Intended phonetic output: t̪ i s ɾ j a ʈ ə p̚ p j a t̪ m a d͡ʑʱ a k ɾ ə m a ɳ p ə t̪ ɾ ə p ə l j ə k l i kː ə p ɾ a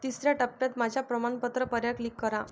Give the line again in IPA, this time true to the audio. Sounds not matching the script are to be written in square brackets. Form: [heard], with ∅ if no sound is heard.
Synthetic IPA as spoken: t̪ i s ɾ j a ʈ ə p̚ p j a t̪ m a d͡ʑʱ a [p] ɾ ə m a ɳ p ə t̪ ɾ ə p ə [ɾ] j [a] k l i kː ə [∅] ɾ a